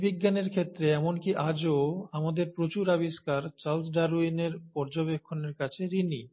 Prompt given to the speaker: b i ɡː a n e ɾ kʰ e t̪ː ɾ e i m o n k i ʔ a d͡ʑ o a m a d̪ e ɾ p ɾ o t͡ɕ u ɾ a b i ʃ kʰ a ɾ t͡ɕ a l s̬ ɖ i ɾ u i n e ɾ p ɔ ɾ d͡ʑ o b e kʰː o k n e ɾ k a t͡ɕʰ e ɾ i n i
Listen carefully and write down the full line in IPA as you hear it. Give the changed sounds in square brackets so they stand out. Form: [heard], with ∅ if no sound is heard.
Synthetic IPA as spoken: b i ɡː a n e ɾ kʰ e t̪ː ɾ e [ɛ] m o n k i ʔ a d͡ʑ o a m a d̪ e ɾ p ɾ o t͡ɕ u ɾ a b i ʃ [k] a ɾ t͡ɕ a l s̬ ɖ [a] ɾ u i n e ɾ p ɔ ɾ d͡ʑ o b e kʰː o [∅] n e ɾ k a t͡ɕʰ e ɾ i n i